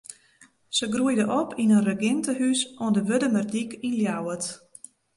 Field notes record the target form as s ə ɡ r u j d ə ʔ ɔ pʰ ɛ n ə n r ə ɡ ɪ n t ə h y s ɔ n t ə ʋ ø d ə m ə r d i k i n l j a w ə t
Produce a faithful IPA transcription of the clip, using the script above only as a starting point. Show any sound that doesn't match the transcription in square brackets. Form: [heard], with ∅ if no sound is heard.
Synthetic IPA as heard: s ə ɡ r u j d ə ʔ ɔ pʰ [i] n ə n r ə ɡ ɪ n t ə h y s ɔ n [d] ə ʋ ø d ə m ə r d i k i n l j a w ə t